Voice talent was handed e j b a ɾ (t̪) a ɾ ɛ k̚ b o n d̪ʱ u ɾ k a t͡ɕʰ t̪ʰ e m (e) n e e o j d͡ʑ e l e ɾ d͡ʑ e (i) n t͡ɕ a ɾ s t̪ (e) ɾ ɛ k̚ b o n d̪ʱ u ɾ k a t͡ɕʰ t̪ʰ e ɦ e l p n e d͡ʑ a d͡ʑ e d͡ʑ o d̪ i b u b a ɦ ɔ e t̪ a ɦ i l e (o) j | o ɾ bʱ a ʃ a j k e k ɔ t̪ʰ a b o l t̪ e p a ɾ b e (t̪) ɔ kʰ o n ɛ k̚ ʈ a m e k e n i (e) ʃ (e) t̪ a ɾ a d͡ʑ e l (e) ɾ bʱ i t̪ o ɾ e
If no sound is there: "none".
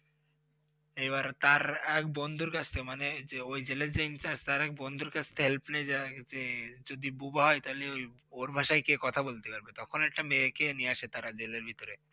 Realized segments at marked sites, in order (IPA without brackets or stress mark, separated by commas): t̪, a, i, a, o, t̪, a, e, e